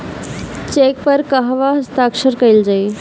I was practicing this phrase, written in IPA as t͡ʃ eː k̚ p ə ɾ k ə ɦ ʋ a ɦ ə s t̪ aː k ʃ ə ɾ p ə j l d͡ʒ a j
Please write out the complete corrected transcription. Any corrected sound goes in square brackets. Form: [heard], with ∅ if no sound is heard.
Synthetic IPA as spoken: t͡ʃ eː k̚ p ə ɾ k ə ɦ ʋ a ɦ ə s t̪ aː k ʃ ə ɾ [k] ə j l d͡ʒ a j